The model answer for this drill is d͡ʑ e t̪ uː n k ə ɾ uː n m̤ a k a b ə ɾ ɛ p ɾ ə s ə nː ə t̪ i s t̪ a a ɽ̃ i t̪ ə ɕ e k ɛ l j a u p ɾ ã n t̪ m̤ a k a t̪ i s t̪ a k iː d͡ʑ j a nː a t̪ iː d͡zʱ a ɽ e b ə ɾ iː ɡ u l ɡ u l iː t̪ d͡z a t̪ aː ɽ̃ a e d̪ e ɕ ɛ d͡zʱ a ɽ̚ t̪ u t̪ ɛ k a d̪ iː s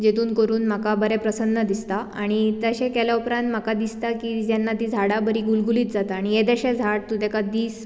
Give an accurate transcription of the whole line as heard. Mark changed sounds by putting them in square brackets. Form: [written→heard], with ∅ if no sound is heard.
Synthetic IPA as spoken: d͡ʑ e t̪ uː n k ə ɾ uː n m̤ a k a b ə ɾ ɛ p ɾ ə s ə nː ə [t̪→d̪] i s t̪ a a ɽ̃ i t̪ ə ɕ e k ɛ l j a u p ɾ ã n t̪ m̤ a k a [t̪→d̪] i s t̪ a k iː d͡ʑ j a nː a t̪ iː d͡zʱ a ɽ [e→a] b ə ɾ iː ɡ u l ɡ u l iː t̪ d͡z a t̪ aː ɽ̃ [a→i] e d̪ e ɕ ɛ d͡zʱ a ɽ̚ t̪ u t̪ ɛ k a d̪ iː s